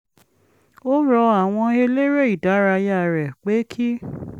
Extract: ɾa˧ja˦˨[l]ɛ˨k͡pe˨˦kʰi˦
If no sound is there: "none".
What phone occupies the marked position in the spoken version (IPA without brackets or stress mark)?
ɾ